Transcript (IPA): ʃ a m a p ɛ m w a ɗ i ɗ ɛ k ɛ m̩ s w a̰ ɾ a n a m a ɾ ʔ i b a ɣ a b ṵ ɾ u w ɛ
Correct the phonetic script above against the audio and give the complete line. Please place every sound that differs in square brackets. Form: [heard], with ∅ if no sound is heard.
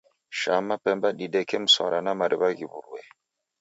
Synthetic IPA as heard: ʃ a m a p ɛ m [b] a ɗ i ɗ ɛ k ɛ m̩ s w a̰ ɾ a n a m a ɾ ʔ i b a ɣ [i] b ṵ ɾ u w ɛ